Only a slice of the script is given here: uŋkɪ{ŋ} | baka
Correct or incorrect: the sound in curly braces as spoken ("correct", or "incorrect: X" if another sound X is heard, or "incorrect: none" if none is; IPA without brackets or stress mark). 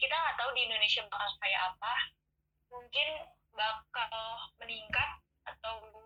incorrect: n